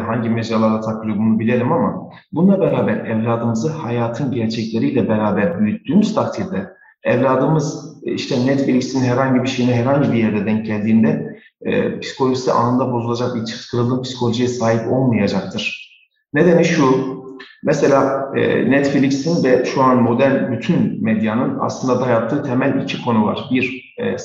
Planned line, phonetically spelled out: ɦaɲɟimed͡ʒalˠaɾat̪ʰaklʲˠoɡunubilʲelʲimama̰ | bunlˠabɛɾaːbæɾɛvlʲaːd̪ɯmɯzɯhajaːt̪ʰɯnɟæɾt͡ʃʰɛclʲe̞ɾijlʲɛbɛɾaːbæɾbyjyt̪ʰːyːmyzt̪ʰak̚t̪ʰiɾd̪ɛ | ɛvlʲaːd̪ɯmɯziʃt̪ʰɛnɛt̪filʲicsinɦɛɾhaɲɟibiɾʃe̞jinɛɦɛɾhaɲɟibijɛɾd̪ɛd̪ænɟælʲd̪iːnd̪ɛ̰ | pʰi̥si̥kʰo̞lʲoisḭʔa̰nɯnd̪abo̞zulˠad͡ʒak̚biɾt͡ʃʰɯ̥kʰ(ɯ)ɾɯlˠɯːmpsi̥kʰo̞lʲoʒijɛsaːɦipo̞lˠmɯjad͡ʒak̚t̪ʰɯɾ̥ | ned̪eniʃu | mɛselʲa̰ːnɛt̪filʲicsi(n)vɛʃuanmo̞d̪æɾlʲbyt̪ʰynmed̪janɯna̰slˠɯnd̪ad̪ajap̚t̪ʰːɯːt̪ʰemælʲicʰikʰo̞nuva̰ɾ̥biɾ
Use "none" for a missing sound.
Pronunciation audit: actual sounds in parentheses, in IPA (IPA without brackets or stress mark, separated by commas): ɯ, n